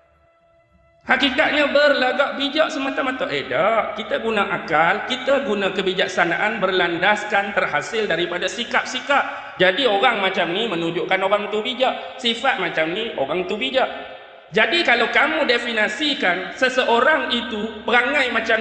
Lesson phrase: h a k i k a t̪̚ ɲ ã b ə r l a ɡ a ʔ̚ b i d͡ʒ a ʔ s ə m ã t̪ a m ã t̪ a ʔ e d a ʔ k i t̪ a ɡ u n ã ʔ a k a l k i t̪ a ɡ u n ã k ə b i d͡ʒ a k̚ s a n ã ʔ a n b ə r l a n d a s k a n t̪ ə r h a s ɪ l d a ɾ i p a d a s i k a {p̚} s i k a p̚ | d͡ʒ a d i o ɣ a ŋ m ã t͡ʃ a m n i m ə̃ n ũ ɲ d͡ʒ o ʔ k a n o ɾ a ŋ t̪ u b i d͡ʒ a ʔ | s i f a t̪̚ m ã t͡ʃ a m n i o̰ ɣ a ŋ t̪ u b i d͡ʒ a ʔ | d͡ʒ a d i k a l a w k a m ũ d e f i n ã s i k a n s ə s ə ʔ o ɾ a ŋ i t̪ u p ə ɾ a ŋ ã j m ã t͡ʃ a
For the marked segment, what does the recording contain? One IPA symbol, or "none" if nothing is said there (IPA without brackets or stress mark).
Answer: p̚